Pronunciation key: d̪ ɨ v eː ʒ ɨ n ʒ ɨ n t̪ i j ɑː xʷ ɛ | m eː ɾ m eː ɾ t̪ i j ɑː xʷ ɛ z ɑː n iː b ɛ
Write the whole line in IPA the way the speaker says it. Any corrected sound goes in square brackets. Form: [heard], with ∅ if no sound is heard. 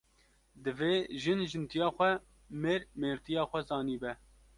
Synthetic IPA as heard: d̪ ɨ v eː ʒ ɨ n ʒ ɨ n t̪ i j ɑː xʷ ɛ | m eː ɾ m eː ɾ t̪ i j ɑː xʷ ɛ z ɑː n iː b ɛ